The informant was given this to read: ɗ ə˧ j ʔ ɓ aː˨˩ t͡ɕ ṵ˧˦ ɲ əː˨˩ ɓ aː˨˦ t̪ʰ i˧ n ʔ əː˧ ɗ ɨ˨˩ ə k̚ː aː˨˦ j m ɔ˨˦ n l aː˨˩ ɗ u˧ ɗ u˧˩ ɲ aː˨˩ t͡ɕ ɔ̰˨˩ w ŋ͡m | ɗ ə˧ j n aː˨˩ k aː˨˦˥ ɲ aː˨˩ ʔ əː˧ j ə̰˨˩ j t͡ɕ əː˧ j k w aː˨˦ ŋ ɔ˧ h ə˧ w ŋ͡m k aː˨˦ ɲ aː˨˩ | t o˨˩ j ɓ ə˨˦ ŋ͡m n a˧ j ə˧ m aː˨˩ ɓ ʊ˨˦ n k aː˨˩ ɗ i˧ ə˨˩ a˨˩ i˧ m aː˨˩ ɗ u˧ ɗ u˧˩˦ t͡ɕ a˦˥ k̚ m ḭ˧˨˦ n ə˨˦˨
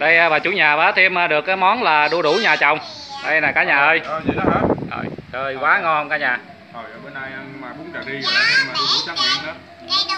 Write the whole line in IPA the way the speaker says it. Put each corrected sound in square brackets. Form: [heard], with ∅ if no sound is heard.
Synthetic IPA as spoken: ɗ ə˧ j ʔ ɓ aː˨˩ t͡ɕ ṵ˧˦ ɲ [aː˨˩] ɓ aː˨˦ t̪ʰ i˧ [m] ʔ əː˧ ɗ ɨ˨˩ ə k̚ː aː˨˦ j m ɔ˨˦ n l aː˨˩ ɗ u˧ ɗ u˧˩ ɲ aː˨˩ t͡ɕ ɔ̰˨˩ w ŋ͡m | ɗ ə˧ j n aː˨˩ k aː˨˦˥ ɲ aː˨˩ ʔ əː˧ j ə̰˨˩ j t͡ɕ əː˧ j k w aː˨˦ ŋ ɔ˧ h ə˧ w ŋ͡m k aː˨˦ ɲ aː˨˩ | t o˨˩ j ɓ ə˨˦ [∅] n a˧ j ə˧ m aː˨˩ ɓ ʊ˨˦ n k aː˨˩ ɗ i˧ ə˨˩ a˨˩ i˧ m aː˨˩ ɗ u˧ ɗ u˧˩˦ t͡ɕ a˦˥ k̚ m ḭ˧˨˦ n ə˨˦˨